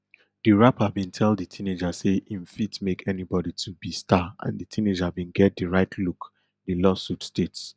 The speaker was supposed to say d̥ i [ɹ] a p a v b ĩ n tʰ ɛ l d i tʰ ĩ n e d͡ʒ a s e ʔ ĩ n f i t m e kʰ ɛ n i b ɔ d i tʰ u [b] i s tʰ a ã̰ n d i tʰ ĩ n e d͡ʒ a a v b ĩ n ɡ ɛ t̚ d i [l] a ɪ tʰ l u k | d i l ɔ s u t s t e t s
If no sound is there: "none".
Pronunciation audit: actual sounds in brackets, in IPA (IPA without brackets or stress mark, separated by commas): ɹ, b, ɹ